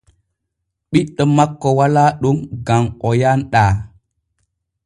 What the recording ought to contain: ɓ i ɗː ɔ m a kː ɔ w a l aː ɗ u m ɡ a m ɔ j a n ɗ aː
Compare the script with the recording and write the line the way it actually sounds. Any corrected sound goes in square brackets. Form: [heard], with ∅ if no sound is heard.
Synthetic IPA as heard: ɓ i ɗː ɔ m a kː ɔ w a l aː ɗ u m ɡ a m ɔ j a n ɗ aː